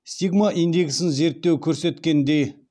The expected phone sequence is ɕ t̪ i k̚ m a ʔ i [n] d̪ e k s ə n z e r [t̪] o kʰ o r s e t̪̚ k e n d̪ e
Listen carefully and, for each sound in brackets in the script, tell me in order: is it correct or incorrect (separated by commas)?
correct, correct